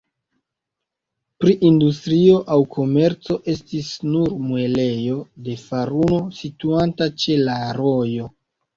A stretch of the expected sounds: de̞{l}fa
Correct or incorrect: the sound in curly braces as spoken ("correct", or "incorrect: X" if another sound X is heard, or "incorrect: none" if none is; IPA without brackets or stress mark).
incorrect: none